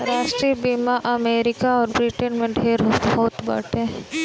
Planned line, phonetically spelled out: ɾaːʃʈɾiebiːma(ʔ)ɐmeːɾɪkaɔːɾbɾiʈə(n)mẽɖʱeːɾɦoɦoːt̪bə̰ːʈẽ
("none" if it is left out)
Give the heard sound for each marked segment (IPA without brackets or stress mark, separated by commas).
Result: ʔ, n